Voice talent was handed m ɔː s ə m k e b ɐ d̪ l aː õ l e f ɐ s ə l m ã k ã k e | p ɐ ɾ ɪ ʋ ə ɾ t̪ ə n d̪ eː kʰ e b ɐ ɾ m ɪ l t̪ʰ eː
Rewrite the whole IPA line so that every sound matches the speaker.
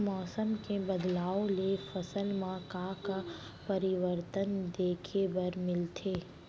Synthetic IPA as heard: m ɔː s ə m k e b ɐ d̪ l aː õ l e f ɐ s ə l m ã k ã k a | p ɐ ɾ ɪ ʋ ə ɾ t̪ ə n d̪ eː kʰ e b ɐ ɾ m ɪ l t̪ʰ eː